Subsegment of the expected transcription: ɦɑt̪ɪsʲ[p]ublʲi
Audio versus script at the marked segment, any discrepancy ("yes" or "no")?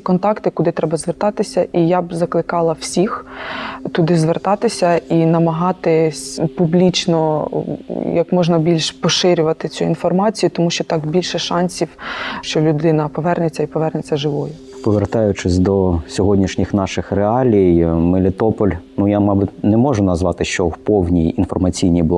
no